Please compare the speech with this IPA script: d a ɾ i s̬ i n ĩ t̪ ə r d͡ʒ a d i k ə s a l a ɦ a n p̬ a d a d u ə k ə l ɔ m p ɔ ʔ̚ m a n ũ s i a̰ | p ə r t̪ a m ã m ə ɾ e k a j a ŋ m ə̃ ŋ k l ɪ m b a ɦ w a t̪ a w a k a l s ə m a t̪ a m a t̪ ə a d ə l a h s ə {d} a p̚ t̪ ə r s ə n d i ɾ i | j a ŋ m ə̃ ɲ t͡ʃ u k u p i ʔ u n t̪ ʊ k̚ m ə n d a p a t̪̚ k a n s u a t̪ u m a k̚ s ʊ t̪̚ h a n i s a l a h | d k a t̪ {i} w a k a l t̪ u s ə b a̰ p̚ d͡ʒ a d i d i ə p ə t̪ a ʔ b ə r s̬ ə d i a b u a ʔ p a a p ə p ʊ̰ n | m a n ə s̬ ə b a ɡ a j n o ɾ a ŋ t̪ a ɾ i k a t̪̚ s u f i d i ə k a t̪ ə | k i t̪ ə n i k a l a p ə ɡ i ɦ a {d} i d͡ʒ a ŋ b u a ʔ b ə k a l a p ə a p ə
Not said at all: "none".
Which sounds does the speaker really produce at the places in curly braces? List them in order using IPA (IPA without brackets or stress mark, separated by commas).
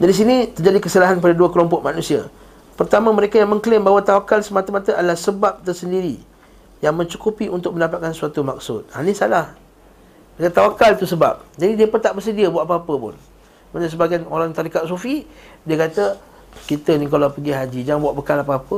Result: b, a, d͡ʒ